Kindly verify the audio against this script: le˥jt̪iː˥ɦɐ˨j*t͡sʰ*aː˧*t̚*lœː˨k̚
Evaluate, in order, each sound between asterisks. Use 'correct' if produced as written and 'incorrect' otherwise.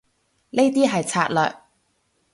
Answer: correct, correct

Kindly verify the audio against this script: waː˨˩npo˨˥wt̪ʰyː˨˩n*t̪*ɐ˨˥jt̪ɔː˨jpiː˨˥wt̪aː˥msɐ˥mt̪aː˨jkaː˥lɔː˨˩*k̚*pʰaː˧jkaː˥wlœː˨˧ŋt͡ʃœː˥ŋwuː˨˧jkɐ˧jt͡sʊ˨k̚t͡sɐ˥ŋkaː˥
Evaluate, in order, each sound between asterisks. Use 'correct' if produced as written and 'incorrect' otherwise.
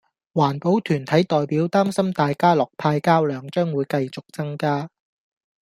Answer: incorrect: t̪ʰ, correct

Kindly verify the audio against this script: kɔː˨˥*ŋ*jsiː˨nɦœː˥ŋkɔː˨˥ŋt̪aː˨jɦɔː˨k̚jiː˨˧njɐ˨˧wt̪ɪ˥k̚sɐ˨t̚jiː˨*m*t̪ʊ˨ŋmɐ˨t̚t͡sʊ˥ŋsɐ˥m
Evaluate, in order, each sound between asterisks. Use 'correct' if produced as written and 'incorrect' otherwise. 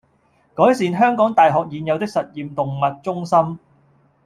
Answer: incorrect: none, correct

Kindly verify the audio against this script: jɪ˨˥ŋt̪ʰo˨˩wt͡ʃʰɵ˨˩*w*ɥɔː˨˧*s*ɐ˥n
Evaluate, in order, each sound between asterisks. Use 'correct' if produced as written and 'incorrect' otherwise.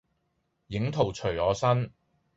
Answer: incorrect: none, correct

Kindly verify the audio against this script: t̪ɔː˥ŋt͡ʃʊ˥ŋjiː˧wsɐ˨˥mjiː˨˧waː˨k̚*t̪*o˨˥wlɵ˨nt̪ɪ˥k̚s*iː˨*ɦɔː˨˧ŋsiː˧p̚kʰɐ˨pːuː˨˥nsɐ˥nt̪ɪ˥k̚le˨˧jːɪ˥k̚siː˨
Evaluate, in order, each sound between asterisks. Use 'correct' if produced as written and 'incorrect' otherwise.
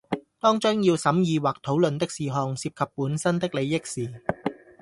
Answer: incorrect: t̪ʰ, correct

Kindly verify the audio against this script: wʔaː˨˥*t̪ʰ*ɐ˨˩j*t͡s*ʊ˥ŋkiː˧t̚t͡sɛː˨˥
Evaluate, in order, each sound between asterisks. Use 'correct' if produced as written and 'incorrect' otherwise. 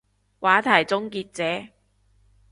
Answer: correct, correct

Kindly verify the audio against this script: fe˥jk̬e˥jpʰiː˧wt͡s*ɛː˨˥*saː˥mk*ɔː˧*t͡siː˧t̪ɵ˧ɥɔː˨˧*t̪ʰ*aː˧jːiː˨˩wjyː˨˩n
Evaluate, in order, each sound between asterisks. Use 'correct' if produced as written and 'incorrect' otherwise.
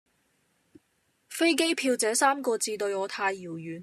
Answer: correct, correct, correct

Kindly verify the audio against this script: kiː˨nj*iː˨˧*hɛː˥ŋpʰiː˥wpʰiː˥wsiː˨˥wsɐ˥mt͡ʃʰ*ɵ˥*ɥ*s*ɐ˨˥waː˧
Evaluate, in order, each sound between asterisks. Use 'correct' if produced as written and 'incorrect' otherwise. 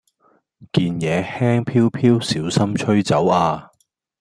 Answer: incorrect: ɛː˨˧, correct, incorrect: t͡s

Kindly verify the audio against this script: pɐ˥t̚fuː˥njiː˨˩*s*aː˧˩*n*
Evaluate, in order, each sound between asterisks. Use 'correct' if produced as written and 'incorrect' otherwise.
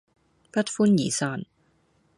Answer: correct, correct

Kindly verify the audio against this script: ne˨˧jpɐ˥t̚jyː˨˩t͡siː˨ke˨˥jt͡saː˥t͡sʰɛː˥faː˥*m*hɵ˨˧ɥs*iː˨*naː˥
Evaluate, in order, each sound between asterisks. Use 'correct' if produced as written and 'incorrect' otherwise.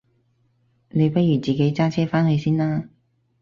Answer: incorrect: n, incorrect: iː˥

